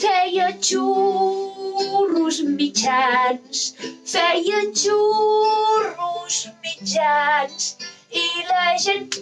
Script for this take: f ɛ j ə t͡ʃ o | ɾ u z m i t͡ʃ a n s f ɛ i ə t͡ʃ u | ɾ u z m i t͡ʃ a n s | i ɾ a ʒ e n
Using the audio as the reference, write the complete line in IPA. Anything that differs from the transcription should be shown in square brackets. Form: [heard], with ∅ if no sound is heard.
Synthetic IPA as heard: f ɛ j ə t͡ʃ [u] | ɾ u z m i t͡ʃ a n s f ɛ [j] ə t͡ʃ u | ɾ u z m i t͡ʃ a n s | i [l] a ʒ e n